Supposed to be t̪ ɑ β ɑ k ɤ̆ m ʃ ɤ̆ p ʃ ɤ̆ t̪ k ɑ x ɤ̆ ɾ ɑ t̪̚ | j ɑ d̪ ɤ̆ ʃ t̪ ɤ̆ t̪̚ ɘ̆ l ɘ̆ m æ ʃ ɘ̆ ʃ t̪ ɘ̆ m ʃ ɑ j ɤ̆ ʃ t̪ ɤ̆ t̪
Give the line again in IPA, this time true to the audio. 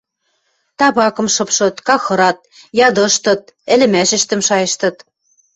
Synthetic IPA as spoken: t̪ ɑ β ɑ k ɤ̆ m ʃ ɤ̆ p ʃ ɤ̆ t̪ k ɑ x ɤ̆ ɾ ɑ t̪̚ | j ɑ d̪ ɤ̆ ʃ t̪ ɤ̆ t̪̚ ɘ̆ l ɘ̆ m æ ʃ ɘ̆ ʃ t̪ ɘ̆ m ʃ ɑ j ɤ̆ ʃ t̪ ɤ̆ t̪

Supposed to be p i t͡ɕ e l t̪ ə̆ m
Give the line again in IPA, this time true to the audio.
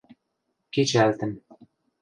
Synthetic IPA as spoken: k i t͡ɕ æ l t̪ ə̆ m

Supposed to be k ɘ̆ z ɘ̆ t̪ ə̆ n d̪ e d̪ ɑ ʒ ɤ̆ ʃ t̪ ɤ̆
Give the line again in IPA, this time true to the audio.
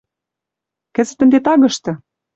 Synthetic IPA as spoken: k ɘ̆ z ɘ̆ t̪ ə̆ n d̪ e t̪ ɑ ɣ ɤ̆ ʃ t̪ ɤ̆

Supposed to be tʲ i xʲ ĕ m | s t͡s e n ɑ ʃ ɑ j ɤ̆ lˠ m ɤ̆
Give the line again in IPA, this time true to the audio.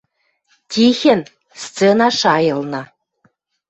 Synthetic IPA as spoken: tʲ i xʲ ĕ n | s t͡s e n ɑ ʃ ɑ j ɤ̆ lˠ n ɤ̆

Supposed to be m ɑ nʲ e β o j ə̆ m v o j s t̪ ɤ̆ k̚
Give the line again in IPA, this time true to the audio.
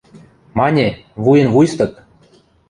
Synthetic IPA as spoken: m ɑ nʲ e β u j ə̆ n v u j s t̪ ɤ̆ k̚

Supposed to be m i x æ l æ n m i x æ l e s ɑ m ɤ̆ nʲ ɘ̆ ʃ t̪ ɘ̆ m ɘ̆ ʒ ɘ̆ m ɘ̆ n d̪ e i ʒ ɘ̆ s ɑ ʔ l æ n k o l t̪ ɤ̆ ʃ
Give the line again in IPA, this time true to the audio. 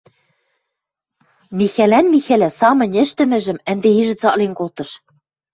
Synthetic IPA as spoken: m i x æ l æ n m i x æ l æ s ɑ m ɤ̆ nʲ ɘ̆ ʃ t̪ ɘ̆ m ɘ̆ ʒ ɘ̆ m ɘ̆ n d̪ e i ʒ ɘ̆ t͡s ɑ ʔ l e n k o l t̪ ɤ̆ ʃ

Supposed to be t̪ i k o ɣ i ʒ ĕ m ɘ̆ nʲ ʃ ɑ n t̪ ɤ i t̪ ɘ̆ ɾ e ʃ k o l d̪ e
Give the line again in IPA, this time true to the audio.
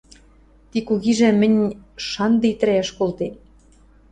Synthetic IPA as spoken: t̪ i k u ɣ i ʒ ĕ m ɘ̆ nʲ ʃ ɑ n d̪ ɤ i t̪ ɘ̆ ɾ æ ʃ k o l t̪ e

